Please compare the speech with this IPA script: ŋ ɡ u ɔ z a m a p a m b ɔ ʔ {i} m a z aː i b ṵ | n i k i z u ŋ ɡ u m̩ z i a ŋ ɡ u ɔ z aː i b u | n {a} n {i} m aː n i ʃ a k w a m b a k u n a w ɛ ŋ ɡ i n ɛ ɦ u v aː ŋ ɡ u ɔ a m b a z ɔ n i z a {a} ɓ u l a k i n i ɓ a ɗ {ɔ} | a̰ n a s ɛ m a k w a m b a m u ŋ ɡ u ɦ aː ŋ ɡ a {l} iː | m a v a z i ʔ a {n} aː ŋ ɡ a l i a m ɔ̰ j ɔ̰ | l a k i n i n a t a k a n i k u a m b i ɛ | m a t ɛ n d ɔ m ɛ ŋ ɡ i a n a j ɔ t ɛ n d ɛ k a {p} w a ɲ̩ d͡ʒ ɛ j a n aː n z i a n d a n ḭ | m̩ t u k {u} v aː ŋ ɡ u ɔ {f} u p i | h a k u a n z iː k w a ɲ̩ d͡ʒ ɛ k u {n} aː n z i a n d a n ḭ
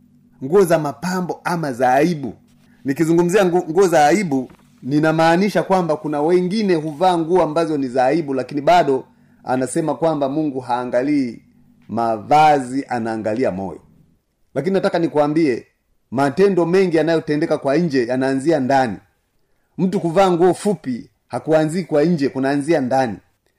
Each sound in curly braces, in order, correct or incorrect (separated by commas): incorrect, incorrect, incorrect, incorrect, correct, correct, correct, incorrect, correct, correct, correct